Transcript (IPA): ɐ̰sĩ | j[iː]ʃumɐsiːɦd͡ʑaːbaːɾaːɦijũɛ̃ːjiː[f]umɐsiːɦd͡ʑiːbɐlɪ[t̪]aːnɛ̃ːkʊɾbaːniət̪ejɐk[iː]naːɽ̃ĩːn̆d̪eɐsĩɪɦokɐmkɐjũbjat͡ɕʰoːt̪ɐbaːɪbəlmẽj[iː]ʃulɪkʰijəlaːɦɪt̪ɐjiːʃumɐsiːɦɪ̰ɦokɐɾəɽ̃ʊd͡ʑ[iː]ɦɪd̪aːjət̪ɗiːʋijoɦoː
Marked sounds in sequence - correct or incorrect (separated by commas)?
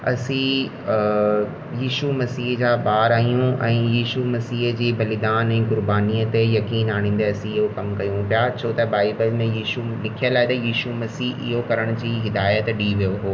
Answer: correct, incorrect, incorrect, correct, correct, correct